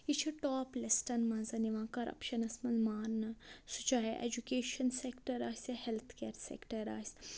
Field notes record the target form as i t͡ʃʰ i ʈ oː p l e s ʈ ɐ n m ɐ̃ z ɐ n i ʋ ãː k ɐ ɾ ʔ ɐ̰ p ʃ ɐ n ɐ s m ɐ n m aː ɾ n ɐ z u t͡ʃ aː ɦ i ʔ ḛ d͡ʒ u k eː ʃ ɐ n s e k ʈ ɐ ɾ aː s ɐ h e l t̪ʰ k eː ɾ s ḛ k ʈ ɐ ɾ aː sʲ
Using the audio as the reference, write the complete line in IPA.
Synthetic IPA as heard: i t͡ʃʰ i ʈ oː p l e s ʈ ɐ n m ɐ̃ z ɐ n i ʋ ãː k ɐ ɾ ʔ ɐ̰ p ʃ ɐ n ɐ s m ɐ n m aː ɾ n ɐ s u t͡ʃ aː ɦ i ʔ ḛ d͡ʒ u k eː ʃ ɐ n s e k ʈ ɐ ɾ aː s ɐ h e l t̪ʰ k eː ɾ s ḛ k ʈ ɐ ɾ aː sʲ